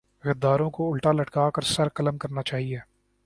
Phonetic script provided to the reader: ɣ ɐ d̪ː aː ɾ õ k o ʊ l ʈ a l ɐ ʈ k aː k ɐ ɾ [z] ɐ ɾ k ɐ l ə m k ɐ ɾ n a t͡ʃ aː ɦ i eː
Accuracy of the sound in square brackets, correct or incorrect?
incorrect